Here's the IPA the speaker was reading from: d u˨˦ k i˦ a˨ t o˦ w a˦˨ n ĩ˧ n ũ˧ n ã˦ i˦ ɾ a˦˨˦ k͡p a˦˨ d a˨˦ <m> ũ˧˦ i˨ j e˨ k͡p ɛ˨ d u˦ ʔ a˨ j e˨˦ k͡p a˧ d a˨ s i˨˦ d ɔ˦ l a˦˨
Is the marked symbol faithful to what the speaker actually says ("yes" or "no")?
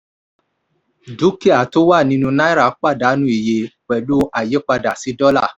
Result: no